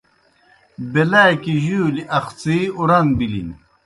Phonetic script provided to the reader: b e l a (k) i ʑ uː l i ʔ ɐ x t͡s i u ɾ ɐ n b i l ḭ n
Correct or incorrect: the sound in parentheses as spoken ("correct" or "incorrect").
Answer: correct